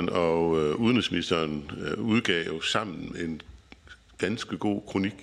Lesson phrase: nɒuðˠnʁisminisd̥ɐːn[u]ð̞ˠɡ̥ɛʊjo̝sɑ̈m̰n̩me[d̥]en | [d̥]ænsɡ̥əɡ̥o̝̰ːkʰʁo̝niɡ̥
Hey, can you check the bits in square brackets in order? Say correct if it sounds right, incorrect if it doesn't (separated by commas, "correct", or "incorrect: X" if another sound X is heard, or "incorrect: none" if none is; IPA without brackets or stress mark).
correct, incorrect: none, incorrect: ɡ̥